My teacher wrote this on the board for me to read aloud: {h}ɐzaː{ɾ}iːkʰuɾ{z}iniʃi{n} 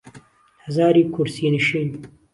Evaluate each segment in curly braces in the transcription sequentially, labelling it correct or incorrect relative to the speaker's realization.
correct, correct, incorrect: s, correct

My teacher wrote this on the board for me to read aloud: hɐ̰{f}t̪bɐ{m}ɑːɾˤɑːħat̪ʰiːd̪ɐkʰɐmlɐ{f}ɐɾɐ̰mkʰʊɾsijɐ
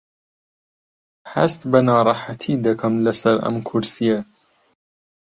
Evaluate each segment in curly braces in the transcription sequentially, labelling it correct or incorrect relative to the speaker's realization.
incorrect: s, incorrect: n, incorrect: s

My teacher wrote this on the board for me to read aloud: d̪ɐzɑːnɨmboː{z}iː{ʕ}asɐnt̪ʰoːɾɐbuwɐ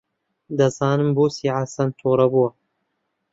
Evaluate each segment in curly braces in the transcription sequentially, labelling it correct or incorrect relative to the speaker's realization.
incorrect: s, correct

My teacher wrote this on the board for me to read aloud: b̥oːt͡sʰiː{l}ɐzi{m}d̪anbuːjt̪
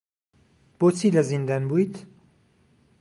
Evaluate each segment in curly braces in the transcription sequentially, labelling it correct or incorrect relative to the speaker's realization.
correct, incorrect: n

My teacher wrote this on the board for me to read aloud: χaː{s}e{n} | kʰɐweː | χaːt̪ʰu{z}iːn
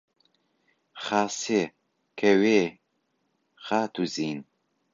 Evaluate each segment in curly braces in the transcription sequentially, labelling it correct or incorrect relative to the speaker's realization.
correct, incorrect: none, correct

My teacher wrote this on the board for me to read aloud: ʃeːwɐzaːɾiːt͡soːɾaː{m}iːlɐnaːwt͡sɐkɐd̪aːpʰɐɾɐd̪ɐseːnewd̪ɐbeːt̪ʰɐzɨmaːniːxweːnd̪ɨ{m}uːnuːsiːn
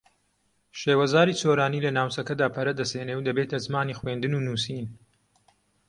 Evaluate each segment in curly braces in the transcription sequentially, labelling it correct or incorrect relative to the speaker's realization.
incorrect: n, incorrect: n

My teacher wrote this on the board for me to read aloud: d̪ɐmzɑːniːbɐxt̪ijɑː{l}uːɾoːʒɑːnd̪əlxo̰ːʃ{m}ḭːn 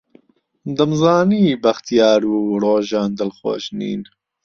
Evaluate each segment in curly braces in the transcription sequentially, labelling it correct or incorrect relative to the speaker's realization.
incorrect: ɾ, incorrect: n

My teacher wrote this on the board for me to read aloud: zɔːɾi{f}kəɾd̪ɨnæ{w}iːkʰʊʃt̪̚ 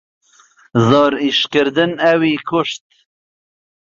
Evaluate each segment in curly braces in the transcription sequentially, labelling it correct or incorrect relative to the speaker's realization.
incorrect: ʃ, correct

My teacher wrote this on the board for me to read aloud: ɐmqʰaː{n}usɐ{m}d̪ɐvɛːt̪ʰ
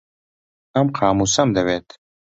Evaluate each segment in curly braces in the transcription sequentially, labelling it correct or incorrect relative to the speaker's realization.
incorrect: m, correct

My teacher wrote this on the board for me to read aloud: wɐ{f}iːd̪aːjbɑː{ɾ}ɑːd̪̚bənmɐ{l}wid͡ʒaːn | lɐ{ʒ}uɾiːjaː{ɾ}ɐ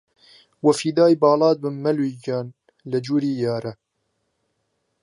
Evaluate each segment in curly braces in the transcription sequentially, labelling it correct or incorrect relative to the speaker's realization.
correct, incorrect: l, correct, incorrect: d͡ʒ, correct

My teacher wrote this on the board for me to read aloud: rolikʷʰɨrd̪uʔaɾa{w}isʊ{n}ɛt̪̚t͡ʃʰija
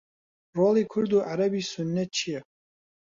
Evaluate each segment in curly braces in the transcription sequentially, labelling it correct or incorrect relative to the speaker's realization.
incorrect: b, incorrect: nː

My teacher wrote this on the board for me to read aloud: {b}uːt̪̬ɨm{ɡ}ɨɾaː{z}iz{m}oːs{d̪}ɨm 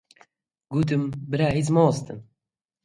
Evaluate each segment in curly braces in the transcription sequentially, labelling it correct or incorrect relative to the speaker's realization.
incorrect: ɡ, incorrect: b, incorrect: none, correct, incorrect: t̪

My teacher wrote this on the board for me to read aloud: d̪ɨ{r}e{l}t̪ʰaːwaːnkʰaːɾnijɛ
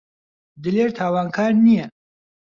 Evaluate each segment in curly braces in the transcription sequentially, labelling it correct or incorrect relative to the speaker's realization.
incorrect: l, incorrect: ɾ

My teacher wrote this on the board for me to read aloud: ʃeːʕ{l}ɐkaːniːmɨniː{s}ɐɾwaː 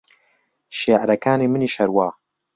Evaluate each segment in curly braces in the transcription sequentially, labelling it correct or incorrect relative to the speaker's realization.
incorrect: ɾ, incorrect: ʃ

